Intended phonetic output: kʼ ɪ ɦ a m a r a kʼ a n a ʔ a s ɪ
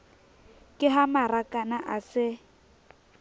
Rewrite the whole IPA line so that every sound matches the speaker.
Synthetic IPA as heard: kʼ ɪ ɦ a m a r a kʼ a n a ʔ a s ɪ

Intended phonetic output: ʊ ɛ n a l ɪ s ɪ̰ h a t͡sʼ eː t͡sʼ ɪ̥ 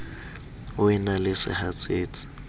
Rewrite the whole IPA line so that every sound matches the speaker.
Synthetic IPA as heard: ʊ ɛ n a l ɪ s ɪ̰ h a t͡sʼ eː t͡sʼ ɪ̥

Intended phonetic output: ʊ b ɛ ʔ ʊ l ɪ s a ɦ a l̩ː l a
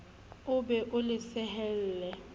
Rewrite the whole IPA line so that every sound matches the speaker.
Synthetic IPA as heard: ʊ b ɛ ʔ ʊ l ɪ s ɛ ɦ ɛ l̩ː l ɛ

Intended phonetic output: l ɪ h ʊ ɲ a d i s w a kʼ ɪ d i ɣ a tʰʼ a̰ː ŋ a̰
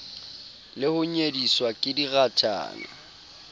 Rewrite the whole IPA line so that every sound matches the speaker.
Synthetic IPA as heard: l ɪ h ʊ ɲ e d i s w a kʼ ɪ d i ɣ a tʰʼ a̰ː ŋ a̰

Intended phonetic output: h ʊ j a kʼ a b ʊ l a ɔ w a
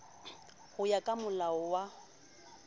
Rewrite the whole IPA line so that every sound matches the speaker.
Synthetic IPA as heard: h ʊ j a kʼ a m ʊ l a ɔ w a

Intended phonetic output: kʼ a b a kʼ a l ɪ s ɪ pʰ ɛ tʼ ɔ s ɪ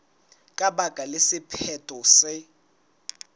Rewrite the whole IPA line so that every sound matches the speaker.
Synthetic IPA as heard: kʼ a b a kʼ a l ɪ s ɪ pʰ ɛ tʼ ɔ s ɪ

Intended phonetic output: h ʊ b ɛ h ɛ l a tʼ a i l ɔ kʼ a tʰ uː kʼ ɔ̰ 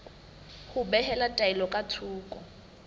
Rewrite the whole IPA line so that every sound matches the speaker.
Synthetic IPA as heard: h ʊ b ɛ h ɛ l a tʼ a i l ɔ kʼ a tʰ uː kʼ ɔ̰

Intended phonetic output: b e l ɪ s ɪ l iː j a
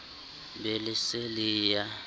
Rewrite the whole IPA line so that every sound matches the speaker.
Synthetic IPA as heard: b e l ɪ s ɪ l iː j a

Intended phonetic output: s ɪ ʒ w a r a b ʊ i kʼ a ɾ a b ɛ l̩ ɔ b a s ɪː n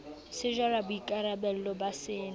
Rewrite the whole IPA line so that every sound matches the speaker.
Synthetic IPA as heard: s ɪ ʒ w a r a b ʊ i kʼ a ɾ a b ɛ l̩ ɔ b a s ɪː n

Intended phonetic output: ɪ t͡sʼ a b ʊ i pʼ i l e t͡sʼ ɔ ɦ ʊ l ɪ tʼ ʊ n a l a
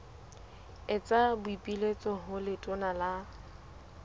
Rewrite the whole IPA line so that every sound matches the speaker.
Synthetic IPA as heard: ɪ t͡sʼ a b ʊ i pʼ i l e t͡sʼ ɔ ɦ ʊ l ɪ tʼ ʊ n a l a

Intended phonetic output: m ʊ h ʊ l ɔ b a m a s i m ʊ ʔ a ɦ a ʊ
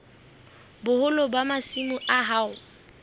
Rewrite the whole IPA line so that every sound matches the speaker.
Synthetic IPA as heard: b ʊ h ʊ l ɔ b a m a s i m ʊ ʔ a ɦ a ʊ

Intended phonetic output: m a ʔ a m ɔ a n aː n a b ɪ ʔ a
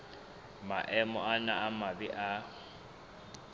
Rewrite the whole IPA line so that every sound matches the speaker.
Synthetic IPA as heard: m a ʔ ɛ m ɔ a n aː m a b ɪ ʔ a

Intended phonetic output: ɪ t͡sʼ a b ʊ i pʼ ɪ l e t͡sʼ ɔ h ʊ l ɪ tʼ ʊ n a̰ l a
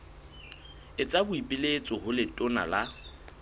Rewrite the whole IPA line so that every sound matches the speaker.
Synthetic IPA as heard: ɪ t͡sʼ a b ʊ i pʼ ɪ l e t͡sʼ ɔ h ʊ l ɪ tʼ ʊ n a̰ l a

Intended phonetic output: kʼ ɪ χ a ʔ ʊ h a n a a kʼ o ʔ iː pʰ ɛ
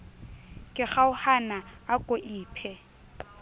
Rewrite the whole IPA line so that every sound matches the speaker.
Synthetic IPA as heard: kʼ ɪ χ a ʊ h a n a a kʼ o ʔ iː pʰ ɛ

